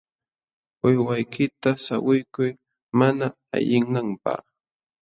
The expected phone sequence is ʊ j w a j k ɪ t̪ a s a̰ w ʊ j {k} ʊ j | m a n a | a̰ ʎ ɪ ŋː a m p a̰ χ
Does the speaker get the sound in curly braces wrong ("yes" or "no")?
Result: no